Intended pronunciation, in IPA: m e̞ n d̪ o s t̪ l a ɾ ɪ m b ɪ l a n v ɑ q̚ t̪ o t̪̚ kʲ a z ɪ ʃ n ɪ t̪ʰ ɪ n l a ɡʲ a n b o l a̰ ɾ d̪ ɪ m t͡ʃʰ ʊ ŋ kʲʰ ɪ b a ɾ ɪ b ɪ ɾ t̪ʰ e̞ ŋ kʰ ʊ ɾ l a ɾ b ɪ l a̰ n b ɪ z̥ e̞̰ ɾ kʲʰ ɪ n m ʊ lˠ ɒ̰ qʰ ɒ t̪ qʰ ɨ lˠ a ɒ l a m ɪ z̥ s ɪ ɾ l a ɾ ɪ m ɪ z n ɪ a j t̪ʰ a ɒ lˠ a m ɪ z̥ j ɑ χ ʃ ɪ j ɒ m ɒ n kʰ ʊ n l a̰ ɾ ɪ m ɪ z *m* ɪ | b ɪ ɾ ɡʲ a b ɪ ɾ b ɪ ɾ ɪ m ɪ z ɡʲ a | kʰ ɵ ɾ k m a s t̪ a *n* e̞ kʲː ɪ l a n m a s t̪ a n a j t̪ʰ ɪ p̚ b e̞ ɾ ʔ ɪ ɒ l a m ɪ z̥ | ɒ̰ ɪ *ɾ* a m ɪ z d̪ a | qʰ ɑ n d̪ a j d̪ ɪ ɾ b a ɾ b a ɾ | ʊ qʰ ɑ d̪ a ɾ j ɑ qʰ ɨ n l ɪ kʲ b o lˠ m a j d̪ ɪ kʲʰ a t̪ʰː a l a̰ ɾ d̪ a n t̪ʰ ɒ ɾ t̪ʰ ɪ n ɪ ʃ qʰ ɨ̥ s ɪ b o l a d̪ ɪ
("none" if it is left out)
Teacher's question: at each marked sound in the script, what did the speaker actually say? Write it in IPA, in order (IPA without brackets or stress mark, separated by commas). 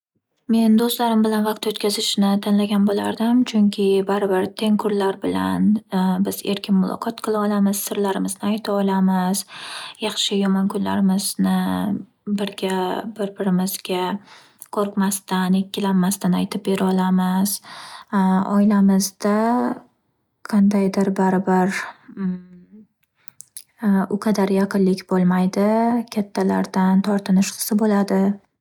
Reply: n, n, l